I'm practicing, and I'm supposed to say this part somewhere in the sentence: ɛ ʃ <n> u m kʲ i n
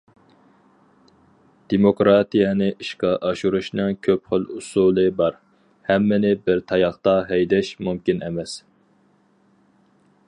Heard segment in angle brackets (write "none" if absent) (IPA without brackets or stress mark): m